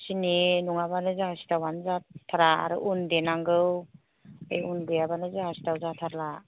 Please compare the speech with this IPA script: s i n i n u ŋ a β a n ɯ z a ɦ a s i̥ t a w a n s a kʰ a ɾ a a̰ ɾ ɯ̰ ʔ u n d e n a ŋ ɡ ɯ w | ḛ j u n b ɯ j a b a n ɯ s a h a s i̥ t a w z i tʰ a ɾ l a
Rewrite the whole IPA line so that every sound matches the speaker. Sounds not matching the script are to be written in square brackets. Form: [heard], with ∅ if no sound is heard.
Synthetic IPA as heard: s i n i n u ŋ a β a n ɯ z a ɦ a s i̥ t a w a n [z] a [tʰ] a ɾ a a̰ ɾ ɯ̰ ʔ u n d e n a ŋ ɡ ɯ w | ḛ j u n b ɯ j a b a n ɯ [z] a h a s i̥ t a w z [a] tʰ a ɾ l a